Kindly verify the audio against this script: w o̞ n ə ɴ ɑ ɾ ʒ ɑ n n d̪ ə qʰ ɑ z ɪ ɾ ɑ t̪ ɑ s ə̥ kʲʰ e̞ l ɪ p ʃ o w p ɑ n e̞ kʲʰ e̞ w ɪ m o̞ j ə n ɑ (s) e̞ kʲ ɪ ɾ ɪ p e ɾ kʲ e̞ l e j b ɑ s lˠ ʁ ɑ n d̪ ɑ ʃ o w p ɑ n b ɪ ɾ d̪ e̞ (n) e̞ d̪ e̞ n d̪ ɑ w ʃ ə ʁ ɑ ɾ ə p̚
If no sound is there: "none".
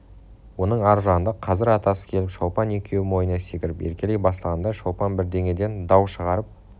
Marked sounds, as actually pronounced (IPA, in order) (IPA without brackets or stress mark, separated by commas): s, ŋ